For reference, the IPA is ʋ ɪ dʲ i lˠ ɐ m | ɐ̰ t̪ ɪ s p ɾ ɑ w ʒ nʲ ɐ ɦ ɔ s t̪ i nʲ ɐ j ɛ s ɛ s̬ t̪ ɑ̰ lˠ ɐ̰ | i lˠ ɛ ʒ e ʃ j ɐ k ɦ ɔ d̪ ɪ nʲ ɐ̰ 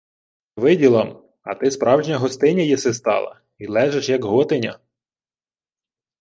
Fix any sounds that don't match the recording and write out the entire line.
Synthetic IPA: ʋ ɪ dʲ i lˠ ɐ m | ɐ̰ t̪ ɪ s p ɾ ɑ w ʒ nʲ ɐ ɦ ɔ s t̪ ɪ nʲ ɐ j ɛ s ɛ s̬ t̪ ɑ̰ lˠ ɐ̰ | i lˠ ɛ ʒ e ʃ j ɐ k ɦ ɔ t̪ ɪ nʲ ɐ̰